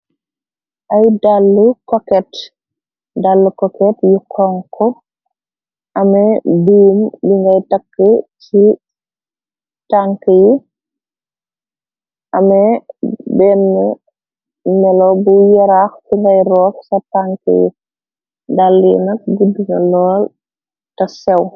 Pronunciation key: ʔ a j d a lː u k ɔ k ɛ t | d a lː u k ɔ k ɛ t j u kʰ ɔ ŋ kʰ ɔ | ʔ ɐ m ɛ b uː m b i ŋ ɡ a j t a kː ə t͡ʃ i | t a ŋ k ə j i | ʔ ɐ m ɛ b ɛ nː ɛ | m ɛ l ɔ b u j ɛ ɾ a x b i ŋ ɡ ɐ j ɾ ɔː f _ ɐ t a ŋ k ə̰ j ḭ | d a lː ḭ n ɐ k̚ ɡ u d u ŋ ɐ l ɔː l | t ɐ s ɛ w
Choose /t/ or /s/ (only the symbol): s